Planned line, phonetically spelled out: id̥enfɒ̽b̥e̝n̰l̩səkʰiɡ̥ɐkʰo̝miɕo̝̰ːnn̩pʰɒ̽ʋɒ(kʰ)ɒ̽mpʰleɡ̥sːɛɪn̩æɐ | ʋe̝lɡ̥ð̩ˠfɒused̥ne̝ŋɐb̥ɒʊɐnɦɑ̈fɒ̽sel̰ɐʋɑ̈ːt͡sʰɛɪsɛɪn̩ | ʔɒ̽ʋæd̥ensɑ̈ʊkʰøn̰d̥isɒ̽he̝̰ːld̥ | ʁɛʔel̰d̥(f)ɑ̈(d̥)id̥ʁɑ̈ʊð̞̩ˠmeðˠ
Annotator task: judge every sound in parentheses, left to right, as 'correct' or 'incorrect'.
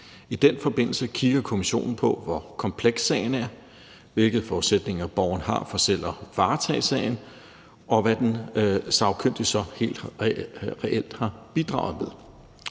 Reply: correct, incorrect: h, incorrect: b̥

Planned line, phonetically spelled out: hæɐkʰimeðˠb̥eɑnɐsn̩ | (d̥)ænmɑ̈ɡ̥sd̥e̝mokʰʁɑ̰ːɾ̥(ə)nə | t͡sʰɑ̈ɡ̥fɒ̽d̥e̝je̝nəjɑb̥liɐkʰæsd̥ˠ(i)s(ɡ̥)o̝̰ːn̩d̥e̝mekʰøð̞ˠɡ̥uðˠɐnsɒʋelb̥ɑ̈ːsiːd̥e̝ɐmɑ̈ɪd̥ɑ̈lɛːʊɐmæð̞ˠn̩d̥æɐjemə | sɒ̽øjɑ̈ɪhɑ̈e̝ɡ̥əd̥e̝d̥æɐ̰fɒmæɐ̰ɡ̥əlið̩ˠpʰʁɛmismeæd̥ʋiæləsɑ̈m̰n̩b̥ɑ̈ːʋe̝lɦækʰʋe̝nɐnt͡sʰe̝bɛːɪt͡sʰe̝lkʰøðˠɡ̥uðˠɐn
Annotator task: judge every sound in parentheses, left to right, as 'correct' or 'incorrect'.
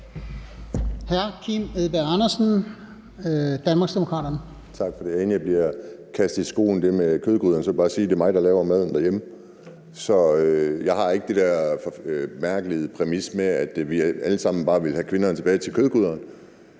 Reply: correct, incorrect: ɐ, correct, correct

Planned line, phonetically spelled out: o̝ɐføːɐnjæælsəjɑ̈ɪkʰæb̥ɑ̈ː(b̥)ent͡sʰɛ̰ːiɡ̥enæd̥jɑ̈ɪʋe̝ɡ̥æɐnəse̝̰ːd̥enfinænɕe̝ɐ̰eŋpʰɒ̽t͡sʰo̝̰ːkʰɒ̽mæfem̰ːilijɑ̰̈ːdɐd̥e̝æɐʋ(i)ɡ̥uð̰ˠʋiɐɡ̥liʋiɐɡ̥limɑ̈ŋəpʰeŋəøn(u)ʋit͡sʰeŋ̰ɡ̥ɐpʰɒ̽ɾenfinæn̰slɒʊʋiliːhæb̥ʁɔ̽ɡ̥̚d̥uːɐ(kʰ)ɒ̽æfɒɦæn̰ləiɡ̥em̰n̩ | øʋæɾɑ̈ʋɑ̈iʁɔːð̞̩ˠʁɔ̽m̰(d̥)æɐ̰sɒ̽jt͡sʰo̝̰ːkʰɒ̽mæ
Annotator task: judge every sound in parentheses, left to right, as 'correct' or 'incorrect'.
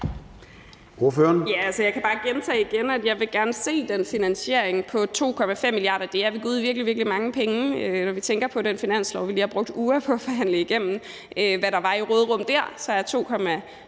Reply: incorrect: ɡ̥, correct, incorrect: ɒ, incorrect: pʰ, correct

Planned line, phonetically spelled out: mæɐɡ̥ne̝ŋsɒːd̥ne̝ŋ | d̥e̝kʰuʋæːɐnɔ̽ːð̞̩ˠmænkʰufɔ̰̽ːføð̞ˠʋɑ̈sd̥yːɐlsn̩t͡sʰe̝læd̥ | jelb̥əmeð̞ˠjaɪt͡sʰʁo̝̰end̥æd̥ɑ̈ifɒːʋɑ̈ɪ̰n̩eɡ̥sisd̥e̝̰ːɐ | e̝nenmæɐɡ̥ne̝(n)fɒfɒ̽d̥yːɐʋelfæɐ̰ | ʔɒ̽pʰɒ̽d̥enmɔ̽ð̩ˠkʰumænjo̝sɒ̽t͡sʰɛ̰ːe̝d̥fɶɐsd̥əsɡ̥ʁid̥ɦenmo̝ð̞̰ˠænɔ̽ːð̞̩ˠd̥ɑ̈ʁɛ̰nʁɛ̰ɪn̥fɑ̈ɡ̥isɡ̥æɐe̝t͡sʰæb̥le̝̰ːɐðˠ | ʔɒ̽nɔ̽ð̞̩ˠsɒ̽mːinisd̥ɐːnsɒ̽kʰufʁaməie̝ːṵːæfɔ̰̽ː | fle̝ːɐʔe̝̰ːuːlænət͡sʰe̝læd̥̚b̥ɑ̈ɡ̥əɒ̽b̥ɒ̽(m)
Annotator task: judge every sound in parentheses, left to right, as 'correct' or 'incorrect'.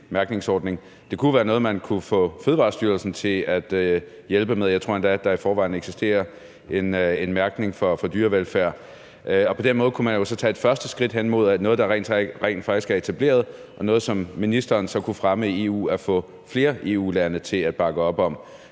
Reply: incorrect: ŋ, correct

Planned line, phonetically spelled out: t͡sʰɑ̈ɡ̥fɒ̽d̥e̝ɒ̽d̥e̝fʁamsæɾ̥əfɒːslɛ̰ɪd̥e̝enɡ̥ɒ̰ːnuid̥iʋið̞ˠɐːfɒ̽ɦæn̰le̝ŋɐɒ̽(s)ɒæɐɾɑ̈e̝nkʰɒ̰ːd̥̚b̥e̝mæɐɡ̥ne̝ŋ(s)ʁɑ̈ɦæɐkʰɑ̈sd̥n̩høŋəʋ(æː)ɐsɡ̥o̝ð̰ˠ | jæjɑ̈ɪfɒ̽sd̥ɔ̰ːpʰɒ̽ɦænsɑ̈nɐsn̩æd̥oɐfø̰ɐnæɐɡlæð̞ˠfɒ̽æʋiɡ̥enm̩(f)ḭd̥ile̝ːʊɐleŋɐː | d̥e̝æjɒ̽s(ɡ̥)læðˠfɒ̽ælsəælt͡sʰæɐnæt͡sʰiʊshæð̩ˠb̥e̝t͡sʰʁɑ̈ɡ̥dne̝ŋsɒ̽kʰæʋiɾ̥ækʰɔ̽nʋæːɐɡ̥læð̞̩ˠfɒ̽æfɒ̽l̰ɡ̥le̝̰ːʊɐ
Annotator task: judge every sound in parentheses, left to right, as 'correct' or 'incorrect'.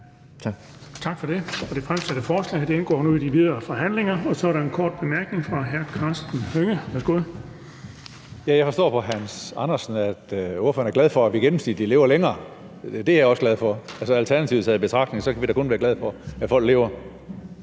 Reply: correct, incorrect: f, incorrect: æ, incorrect: s, correct

